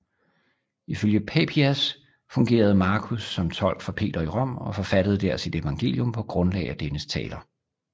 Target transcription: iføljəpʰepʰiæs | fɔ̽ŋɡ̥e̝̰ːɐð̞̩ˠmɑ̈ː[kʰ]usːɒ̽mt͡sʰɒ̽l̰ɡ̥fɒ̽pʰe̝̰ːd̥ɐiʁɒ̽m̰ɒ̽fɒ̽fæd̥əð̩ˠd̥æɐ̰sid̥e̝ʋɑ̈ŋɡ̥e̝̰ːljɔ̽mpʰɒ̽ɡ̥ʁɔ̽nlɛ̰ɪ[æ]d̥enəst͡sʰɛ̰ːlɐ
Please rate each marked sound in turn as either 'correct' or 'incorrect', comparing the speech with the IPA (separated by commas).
correct, correct